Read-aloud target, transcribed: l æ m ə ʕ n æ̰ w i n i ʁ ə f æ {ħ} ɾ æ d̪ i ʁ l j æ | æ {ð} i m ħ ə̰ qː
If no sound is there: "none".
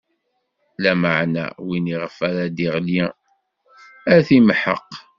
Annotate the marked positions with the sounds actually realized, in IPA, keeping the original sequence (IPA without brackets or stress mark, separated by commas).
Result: none, θ